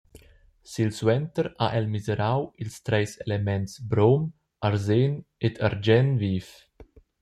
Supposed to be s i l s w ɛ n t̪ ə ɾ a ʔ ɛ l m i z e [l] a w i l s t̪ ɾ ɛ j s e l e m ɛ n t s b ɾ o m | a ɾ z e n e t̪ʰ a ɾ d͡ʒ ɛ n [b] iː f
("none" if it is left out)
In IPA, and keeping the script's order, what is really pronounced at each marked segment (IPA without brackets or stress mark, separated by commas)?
ɾ, v